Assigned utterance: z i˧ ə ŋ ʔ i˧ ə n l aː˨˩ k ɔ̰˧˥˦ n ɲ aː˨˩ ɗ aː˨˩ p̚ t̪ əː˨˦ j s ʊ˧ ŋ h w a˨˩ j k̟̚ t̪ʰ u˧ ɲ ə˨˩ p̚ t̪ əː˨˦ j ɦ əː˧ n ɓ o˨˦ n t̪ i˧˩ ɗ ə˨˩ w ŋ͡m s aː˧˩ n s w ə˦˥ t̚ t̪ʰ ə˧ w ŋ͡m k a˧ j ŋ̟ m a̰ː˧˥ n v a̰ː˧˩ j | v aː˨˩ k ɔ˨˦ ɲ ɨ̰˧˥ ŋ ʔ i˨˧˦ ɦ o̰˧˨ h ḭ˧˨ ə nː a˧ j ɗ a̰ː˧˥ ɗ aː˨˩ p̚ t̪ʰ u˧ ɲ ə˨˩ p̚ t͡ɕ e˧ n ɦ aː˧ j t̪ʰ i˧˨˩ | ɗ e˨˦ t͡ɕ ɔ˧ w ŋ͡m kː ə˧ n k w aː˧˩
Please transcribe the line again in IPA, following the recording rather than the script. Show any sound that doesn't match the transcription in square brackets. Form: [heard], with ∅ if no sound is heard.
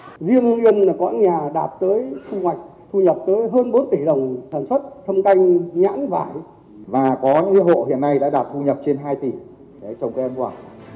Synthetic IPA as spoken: z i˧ ə ŋ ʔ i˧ ə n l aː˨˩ k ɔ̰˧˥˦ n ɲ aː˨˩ ɗ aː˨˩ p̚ t̪ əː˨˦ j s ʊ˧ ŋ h w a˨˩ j k̟̚ t̪ʰ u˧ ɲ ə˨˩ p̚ t̪ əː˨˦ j ɦ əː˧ n ɓ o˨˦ n t̪ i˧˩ ɗ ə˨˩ w ŋ͡m s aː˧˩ n s w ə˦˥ t̚ t̪ʰ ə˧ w ŋ͡m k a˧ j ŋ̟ [ɲ] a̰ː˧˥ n v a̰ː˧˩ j | v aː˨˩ k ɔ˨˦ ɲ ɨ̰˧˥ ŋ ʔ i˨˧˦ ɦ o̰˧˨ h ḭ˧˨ ə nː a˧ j ɗ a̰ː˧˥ ɗ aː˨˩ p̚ t̪ʰ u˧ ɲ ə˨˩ p̚ t͡ɕ e˧ n ɦ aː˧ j [t̪] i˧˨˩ | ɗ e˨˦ t͡ɕ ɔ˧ w ŋ͡m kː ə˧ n k w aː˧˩